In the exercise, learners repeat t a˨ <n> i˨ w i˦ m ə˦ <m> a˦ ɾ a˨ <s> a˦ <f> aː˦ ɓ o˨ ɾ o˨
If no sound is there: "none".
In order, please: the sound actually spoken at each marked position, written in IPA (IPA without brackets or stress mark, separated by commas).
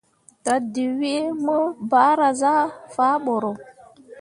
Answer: d, b, z, f